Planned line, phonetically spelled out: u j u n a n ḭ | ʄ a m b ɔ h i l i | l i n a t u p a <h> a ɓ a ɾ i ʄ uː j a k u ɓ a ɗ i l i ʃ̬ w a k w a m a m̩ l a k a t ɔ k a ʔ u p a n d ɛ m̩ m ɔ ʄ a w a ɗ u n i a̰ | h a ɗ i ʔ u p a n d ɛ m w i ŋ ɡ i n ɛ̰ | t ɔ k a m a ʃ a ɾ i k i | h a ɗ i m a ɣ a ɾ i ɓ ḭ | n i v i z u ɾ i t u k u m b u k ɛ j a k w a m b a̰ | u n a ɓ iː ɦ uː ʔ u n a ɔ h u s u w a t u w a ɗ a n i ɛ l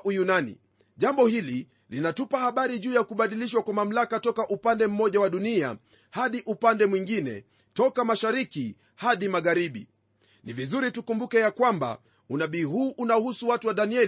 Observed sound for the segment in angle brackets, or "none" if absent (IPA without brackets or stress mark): h